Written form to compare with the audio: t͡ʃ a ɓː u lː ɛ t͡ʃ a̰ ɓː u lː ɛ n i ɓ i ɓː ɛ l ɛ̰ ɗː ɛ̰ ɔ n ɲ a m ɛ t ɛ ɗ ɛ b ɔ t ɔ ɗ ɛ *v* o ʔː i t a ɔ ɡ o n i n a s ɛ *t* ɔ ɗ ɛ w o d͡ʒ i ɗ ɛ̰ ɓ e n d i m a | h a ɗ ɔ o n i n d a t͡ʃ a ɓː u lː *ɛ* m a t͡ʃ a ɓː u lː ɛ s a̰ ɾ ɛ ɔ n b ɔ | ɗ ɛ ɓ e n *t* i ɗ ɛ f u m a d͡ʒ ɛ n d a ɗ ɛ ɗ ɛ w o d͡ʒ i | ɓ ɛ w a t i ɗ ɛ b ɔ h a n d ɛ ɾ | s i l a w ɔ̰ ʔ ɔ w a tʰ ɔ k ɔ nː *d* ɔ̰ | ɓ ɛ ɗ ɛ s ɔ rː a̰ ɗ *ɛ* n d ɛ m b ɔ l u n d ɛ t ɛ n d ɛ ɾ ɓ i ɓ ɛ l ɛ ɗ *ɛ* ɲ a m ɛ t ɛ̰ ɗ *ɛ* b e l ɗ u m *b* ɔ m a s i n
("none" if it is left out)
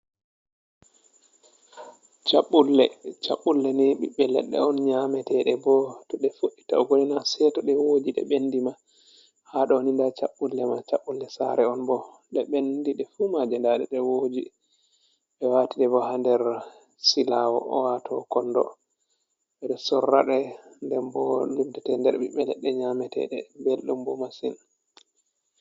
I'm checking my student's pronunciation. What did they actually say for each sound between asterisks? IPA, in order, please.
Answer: f, t, ɛ, d, d, ɛ, ɛ, ɛ, b

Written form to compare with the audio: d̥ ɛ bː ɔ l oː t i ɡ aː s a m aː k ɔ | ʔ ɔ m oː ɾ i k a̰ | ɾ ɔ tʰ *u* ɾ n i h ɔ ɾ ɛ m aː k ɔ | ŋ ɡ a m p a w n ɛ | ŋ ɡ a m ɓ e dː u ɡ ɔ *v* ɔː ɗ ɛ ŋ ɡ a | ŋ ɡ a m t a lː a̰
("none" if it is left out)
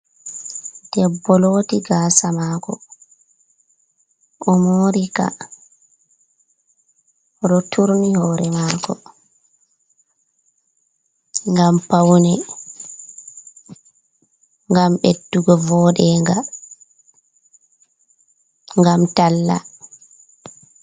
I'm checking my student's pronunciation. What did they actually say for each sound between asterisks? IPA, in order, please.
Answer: u, v

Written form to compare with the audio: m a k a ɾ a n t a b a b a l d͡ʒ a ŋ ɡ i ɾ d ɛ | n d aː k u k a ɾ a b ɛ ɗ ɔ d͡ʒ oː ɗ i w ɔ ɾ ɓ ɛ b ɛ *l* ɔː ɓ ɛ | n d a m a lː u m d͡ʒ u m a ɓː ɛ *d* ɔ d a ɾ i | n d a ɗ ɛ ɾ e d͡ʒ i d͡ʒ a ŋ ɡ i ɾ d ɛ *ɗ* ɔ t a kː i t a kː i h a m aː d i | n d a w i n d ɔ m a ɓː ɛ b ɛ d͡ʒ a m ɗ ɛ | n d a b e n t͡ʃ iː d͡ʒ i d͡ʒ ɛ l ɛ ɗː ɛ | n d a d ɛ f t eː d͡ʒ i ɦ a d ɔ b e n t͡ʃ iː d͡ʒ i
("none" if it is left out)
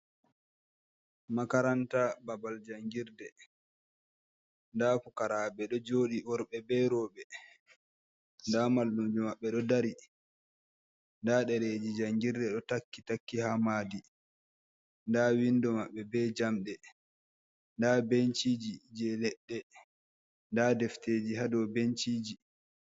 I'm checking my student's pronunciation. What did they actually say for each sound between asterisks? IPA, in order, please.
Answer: ɾ, ɗ, ɗ

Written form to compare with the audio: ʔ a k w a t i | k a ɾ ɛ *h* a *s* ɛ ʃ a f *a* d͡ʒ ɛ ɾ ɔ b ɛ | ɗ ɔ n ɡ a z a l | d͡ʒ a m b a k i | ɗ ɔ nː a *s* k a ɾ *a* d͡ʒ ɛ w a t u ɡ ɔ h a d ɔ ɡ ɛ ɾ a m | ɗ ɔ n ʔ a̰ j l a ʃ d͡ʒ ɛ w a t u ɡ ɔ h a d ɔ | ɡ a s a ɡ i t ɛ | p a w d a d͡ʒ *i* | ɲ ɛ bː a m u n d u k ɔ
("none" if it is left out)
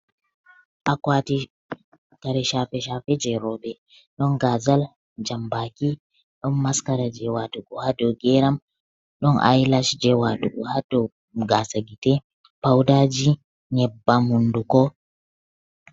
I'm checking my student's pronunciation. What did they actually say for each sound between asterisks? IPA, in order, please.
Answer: ʃ, f, ɛ, s, a, i

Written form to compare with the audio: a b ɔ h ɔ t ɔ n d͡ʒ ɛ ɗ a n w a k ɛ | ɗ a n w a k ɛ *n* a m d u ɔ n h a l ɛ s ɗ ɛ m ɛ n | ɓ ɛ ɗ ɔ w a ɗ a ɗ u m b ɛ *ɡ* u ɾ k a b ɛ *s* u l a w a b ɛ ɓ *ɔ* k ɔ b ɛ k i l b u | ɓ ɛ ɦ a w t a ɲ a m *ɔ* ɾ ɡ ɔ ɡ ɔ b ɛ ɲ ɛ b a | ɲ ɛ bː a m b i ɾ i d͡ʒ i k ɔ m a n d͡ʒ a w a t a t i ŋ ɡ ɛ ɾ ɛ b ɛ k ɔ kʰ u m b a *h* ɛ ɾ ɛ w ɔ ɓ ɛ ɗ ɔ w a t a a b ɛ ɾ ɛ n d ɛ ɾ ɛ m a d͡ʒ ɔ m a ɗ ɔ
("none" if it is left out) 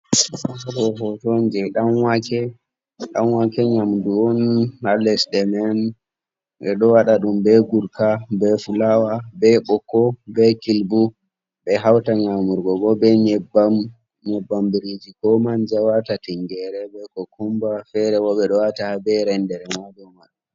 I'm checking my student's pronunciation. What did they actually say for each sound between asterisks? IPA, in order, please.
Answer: ɲ, ɡ, f, ɔ, u, f

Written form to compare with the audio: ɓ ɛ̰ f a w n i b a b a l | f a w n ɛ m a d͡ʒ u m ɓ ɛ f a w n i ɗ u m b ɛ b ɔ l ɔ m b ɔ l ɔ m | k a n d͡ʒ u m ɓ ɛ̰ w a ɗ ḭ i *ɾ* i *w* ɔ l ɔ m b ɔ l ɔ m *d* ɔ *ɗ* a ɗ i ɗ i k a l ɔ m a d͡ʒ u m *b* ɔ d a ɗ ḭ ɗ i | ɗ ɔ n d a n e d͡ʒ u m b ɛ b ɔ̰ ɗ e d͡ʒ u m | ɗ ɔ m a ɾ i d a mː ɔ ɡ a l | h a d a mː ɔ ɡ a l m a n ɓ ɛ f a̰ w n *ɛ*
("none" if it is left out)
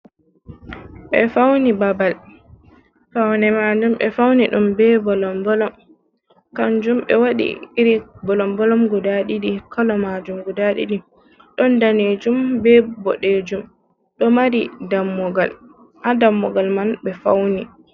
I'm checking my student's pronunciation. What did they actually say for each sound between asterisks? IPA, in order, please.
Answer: ɾ, b, ɡ, d, ɡ, i

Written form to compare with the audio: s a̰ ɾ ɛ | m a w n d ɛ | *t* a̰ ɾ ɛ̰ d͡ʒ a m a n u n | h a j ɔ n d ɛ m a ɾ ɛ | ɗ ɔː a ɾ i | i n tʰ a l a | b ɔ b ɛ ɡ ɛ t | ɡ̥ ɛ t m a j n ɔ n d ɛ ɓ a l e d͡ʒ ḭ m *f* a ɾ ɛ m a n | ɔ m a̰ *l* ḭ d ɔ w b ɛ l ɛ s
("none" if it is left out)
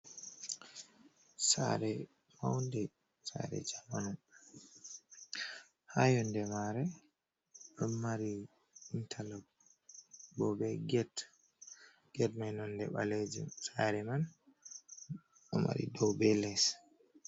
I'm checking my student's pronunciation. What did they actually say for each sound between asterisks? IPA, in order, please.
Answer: s, s, ɾ

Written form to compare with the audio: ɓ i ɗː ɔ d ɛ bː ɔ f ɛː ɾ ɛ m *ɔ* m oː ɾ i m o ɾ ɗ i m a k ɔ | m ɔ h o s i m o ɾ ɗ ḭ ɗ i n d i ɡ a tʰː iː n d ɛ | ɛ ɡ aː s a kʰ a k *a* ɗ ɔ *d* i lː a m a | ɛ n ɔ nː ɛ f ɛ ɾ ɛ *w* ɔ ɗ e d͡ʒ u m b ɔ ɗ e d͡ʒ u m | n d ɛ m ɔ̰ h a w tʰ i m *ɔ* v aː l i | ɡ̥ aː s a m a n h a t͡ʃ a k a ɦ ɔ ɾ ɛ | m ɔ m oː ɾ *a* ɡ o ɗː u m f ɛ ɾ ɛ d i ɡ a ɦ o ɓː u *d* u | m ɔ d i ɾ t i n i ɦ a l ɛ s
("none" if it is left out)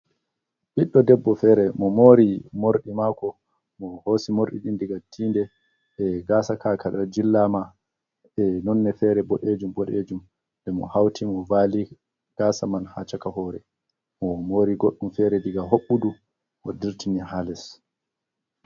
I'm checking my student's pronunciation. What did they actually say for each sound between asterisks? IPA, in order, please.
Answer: ɔ, a, d͡ʒ, b, ɔ, i, d

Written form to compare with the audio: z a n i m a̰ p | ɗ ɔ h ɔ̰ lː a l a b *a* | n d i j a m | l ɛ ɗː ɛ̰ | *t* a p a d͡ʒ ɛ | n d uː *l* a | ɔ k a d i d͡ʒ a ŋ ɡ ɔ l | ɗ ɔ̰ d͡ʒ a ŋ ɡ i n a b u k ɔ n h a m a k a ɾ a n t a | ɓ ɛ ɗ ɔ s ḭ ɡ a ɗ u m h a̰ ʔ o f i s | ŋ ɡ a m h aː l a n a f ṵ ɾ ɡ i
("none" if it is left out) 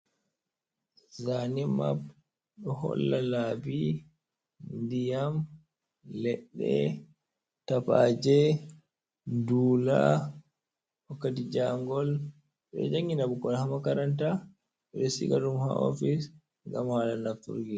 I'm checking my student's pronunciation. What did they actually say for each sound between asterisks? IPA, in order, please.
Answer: i, t, l

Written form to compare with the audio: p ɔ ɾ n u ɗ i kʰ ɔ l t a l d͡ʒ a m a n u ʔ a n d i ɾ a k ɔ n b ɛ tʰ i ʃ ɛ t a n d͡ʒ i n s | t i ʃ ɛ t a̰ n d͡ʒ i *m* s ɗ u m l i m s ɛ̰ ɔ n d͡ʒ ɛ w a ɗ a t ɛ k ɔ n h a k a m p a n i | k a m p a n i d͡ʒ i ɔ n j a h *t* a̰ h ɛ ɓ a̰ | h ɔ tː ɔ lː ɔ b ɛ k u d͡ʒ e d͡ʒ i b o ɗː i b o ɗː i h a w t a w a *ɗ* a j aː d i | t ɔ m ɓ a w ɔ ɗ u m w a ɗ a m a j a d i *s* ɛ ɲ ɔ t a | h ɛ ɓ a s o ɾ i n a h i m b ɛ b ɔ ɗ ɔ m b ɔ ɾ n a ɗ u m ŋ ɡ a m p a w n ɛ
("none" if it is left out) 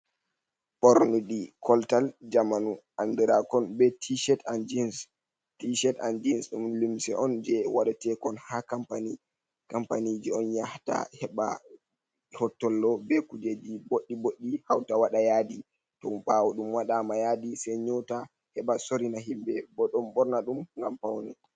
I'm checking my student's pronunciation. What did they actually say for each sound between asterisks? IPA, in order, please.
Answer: n, t, ɗ, s

